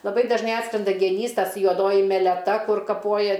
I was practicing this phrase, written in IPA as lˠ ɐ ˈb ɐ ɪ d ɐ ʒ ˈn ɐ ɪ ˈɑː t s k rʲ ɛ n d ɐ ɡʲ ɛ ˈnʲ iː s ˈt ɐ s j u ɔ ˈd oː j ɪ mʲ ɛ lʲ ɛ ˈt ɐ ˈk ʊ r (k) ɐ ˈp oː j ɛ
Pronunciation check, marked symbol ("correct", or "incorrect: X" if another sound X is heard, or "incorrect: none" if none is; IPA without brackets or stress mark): correct